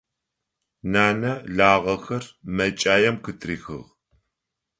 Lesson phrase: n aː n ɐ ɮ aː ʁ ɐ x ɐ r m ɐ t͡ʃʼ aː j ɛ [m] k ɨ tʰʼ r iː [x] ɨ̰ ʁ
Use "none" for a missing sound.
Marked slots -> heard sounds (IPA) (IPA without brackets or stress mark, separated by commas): m, x